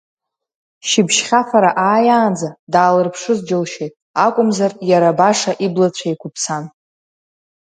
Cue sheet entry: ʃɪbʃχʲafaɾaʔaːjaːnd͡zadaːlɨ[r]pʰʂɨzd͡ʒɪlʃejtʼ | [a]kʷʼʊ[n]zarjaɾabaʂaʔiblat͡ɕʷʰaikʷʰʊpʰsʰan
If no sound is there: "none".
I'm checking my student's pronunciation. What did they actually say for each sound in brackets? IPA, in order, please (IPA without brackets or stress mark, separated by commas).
r, a, m